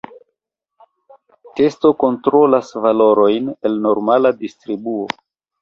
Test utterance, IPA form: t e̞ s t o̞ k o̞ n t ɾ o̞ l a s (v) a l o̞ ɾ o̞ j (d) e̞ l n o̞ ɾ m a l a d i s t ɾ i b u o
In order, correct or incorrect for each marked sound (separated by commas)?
correct, incorrect